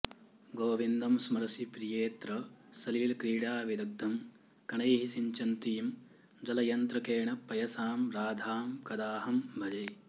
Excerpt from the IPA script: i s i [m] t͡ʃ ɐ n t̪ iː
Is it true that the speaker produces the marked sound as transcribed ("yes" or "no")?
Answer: no